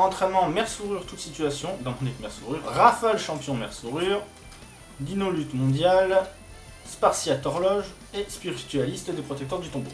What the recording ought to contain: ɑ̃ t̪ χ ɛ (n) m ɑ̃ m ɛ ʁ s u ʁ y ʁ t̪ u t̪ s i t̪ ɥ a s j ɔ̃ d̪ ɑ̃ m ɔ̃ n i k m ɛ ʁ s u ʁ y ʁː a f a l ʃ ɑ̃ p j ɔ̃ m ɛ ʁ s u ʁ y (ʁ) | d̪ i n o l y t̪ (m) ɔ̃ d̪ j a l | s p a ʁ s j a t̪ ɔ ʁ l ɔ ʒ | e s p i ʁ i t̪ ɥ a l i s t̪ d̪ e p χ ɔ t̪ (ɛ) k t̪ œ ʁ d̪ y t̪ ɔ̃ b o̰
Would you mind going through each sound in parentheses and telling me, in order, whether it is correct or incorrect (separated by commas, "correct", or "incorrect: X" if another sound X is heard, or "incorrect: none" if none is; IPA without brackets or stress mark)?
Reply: correct, correct, correct, correct